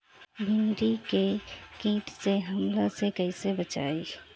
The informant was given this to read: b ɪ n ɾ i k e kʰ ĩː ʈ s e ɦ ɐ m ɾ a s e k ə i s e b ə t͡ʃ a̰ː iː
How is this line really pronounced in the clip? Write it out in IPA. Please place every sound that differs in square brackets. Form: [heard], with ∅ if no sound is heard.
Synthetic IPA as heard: b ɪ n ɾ i k e [k] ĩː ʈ s e ɦ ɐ m [l] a s e k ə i s e b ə t͡ʃ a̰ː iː